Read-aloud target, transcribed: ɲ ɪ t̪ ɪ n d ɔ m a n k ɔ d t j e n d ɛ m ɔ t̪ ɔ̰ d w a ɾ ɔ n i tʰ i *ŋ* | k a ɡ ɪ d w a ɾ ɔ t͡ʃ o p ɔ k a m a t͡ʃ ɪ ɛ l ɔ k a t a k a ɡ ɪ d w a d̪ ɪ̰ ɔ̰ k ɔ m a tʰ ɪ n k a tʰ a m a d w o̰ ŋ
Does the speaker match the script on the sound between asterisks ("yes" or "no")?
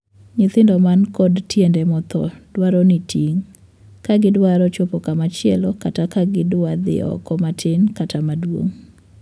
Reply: yes